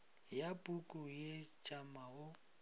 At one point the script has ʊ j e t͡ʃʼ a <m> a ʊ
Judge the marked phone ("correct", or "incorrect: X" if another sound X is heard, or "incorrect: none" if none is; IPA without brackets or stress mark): correct